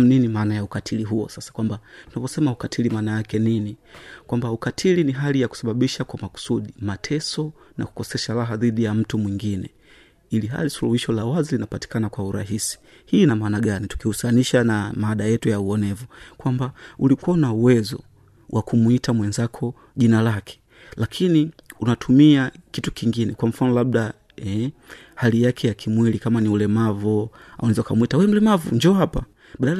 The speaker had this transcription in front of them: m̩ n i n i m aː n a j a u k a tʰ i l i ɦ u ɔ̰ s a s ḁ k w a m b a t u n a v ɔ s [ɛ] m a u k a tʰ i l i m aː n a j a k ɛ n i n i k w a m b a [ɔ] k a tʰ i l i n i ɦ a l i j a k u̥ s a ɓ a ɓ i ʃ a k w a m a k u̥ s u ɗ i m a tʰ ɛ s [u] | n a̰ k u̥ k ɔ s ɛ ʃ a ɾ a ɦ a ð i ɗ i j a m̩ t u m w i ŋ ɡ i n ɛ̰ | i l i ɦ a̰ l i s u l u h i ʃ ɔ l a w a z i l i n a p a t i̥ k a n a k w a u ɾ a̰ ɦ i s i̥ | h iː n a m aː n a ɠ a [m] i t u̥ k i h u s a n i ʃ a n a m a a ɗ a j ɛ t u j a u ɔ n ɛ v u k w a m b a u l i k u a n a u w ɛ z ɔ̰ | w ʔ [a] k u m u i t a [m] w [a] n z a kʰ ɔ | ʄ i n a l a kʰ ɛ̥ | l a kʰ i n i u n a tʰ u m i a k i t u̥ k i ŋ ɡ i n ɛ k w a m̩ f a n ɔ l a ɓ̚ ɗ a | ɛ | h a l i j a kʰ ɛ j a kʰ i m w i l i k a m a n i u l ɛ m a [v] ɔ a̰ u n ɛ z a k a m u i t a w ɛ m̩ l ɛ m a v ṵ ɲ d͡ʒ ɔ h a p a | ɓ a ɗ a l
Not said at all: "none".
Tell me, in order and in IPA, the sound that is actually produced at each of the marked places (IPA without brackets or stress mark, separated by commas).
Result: ɛ, u, ɔ, n, a, m, ɛ, v